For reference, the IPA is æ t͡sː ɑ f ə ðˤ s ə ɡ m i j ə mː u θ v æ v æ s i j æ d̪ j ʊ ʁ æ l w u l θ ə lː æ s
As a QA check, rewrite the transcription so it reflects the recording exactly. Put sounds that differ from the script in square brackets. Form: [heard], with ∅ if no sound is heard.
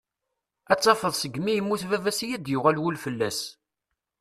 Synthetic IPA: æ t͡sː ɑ f ə ðˤ s ə ɡ m i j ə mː u θ v æ v æ s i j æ d̪ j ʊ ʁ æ l w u l [f] ə lː æ s

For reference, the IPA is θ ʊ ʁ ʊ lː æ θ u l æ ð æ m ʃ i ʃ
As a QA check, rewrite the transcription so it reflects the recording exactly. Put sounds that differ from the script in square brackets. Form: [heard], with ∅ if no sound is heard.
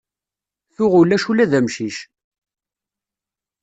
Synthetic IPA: θ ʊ ʁ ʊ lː æ [ʃ] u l æ ð æ m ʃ i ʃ

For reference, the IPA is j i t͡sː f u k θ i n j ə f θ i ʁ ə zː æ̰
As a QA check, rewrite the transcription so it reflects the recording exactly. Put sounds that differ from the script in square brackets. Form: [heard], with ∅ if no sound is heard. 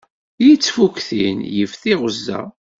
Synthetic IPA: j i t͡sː f u k θ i n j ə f θ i ʁ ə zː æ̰

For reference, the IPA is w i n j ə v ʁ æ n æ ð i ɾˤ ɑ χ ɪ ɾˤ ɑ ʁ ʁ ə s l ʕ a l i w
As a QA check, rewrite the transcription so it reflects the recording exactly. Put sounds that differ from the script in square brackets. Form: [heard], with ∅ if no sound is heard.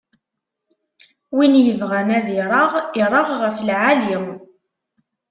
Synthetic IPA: w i n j ə v ʁ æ n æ ð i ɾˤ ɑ [ʁ] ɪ ɾˤ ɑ ʁ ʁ ə [f] l ʕ a l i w

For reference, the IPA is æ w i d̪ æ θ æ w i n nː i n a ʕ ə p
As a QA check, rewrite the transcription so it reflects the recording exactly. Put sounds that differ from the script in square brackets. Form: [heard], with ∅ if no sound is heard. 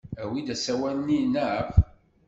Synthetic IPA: æ w i d̪ æ [s] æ w [æ] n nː i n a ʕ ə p

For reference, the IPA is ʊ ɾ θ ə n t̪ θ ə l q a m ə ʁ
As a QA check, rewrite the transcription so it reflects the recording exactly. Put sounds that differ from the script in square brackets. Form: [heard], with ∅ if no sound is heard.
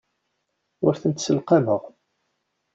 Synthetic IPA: ʊ ɾ θ ə n t̪ [s] ə l q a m ə ʁ

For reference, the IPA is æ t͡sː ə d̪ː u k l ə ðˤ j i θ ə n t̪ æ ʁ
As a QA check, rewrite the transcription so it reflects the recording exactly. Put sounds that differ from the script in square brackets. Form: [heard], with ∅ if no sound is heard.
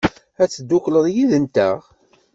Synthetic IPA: æ t͡sː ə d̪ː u k l ə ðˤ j i [ð] ə n t̪ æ ʁ

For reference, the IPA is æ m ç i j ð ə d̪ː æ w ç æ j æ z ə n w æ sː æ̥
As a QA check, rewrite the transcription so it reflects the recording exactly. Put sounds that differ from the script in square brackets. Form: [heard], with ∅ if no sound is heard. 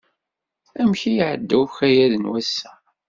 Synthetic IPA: æ m ç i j [ʕ] ə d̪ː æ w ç æ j æ [ð] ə n w æ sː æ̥

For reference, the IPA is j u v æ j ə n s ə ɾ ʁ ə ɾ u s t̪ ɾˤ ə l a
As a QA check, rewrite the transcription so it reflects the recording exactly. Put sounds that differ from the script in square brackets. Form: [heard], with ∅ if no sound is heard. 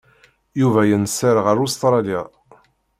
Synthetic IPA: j u v æ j ə n s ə ɾ ʁ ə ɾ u s t̪ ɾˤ [ɑ] l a

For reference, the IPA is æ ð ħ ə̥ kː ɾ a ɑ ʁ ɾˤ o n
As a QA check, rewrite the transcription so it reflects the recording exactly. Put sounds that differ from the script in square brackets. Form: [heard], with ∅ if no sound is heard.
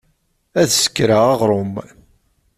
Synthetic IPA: æ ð [s] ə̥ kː ɾ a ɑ ʁ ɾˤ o [m]

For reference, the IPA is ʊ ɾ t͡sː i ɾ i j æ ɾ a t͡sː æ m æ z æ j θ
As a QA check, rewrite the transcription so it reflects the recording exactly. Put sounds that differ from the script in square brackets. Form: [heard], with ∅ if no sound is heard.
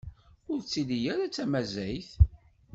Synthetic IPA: ʊ ɾ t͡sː i [l] i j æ ɾ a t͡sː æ m æ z æ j θ

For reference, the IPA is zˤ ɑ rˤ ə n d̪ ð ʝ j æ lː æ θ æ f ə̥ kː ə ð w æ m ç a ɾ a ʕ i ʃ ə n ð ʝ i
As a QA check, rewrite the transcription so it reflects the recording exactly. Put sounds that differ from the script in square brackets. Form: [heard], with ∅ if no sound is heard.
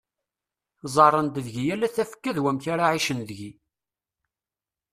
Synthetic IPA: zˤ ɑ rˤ ə n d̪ ð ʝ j æ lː æ θ æ f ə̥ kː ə ð w æ m ç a ɾ a ʕ i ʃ ə n ð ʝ i

